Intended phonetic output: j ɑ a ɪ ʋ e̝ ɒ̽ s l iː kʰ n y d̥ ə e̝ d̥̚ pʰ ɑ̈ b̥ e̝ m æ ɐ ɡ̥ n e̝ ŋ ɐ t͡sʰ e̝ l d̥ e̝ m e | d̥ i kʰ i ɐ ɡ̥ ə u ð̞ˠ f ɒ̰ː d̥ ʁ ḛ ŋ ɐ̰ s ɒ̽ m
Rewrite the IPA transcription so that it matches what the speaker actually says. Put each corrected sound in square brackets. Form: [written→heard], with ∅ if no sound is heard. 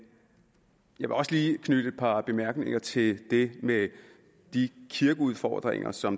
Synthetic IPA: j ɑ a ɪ ʋ e̝ ɒ̽ s l iː kʰ n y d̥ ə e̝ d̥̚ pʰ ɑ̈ b̥ e̝ m æ ɐ ɡ̥ n e̝ ŋ ɐ t͡sʰ e̝ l d̥ e̝ m e | d̥ i kʰ i ɐ ɡ̥ ə u ð̞ˠ f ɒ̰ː d̥ ʁ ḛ ŋ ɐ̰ s ɒ̽ m